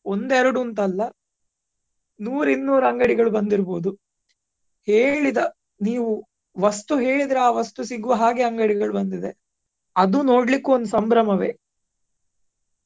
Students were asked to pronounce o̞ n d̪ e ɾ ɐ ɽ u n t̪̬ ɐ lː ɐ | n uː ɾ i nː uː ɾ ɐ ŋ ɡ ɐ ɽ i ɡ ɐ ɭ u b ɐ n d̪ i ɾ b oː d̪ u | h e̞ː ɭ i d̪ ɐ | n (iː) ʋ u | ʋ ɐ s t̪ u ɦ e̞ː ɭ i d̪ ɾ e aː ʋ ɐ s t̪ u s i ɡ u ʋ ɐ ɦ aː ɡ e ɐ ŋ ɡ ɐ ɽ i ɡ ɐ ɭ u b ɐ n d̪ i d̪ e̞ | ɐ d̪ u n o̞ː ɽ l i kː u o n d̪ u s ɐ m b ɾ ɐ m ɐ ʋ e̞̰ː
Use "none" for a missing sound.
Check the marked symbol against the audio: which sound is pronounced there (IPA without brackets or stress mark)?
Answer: iː